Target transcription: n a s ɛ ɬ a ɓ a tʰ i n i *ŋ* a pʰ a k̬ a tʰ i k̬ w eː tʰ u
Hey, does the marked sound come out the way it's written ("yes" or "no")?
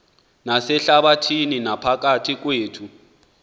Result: no